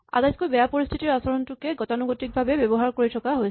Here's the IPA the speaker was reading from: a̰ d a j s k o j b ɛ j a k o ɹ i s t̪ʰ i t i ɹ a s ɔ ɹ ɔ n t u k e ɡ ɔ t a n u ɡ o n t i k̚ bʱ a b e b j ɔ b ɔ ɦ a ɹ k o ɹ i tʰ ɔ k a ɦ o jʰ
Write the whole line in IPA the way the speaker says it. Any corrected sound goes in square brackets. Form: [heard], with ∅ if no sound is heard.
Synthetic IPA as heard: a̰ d a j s k o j b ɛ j a [p] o ɹ i s t̪ʰ i t i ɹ a s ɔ ɹ ɔ n t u k e ɡ ɔ t a n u ɡ o [∅] t i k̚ bʱ a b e b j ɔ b ɔ ɦ a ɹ k o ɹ i tʰ ɔ k a ɦ o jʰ